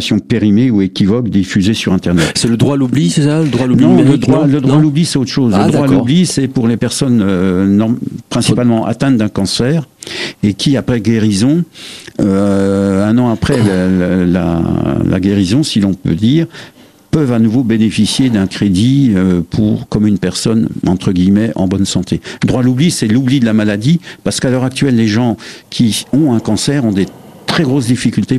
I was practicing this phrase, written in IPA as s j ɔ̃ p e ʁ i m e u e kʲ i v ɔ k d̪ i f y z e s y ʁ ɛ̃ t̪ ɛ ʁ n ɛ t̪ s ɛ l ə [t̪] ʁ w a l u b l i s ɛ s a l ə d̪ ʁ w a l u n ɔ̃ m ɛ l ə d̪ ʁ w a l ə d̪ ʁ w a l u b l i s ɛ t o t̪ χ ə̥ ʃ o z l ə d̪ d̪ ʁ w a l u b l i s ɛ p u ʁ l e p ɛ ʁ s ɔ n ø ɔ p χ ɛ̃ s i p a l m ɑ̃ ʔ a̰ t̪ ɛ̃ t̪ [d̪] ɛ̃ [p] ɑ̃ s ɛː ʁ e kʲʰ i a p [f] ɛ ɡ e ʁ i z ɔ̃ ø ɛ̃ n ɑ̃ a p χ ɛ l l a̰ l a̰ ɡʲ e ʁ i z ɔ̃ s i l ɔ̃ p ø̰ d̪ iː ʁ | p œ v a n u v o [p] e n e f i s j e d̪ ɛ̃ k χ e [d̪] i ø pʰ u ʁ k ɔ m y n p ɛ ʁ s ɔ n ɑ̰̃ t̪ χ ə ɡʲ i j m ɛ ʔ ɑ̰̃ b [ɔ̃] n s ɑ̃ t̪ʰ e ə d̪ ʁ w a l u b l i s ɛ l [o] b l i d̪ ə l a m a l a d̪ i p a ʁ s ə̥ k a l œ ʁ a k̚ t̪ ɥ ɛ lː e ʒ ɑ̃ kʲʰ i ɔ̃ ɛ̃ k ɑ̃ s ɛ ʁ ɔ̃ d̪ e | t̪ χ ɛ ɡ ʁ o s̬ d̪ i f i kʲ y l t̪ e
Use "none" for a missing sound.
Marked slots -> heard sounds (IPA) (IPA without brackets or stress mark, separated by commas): d̪, d̪, k, χ, b, d̪, ɔ, u